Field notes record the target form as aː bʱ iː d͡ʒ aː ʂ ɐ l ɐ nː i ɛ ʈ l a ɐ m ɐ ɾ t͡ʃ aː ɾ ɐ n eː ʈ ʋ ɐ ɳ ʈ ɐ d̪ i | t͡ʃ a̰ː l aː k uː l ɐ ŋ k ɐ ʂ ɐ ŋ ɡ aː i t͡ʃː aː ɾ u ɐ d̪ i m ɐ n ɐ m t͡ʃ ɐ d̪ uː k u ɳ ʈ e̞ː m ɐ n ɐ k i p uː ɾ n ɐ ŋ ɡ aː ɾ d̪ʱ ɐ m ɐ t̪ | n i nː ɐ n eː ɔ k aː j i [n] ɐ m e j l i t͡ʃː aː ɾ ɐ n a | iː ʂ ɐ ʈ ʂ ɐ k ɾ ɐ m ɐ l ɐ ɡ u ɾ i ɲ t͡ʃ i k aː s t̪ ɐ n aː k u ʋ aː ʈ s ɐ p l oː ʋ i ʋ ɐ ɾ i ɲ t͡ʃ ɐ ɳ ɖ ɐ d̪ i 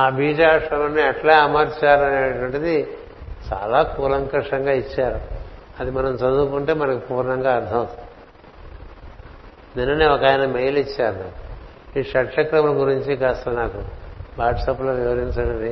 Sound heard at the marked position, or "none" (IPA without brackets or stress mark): n